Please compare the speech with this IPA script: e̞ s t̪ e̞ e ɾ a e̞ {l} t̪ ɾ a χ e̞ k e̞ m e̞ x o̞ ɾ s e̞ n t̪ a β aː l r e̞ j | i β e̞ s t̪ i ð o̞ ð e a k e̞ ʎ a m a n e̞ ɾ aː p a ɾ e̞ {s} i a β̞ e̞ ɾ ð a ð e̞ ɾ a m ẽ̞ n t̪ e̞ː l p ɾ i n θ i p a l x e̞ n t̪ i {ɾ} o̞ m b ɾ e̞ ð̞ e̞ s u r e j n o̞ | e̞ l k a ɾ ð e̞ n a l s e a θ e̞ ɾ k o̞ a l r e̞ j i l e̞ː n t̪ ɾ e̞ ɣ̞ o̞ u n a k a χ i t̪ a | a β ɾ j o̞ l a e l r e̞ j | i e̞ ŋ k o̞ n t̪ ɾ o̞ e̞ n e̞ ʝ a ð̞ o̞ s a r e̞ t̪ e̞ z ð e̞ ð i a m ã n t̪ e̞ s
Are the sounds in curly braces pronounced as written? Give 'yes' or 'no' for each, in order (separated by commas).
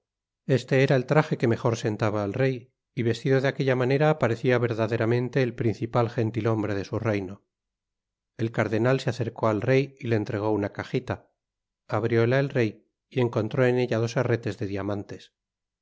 yes, no, no